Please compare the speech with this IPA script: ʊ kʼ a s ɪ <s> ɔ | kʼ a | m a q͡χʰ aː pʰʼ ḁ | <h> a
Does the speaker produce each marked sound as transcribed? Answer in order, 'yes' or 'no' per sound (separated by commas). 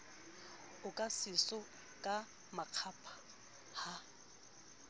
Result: yes, yes